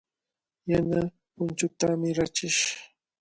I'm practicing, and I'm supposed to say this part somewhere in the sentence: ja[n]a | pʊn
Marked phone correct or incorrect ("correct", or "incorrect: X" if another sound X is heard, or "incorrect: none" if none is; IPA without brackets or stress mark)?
correct